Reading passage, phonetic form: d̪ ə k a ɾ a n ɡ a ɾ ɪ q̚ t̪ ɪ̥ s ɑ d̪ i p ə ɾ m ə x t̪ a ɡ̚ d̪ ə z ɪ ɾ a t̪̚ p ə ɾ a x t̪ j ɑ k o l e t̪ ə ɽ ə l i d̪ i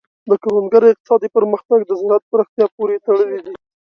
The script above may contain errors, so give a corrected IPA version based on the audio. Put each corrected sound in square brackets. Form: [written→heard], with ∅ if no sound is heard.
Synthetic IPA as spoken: d̪ ə k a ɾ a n ɡ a ɾ ɪ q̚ t̪ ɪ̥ s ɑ d̪ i p ə ɾ m ə x t̪ a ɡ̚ d̪ ə z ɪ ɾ a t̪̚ p ə ɾ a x t̪ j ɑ [k→p] o [l→ɾ] e t̪ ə ɽ ə l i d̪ i